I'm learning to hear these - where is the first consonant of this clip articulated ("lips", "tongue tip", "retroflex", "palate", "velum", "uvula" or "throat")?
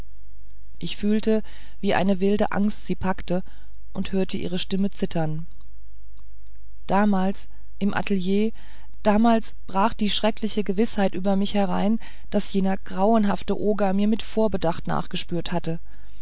throat